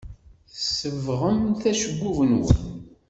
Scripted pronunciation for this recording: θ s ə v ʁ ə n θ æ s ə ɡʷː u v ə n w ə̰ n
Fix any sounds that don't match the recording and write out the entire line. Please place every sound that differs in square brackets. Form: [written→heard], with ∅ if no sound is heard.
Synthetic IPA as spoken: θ s ə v ʁ ə [n→m] θ æ [s→ʃ] ə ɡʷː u v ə n w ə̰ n